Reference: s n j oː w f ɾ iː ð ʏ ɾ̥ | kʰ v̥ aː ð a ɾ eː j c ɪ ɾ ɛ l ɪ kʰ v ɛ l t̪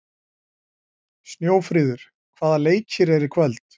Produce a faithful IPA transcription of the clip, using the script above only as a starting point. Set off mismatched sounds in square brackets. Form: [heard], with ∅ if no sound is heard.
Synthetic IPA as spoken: s n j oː w f ɾ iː ð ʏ ɾ̥ | kʰ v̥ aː ð a [l] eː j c ɪ ɾ ɛ [ɾ] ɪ kʰ v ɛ l t̪